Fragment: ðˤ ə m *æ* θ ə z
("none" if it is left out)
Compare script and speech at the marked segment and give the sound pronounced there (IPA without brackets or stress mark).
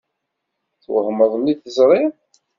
i